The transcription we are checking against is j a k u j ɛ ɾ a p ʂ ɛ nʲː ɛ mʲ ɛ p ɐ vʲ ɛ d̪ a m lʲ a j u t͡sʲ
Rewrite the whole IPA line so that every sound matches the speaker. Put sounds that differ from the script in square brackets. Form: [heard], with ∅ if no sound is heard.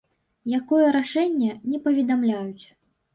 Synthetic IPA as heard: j a k [ɔ] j ɛ ɾ a [∅] ʂ ɛ nʲː ɛ [nʲ] ɛ p ɐ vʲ ɛ d̪ a m lʲ a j u t͡sʲ